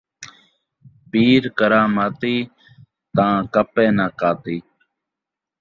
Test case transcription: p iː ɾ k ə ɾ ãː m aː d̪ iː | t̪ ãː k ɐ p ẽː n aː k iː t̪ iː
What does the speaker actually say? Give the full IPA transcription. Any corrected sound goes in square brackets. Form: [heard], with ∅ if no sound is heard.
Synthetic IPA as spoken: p iː ɾ k ə ɾ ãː m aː [t̪] iː | t̪ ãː k [ə] p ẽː n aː k [aː] t̪ iː